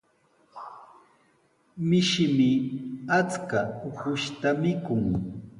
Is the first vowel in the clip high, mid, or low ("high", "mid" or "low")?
high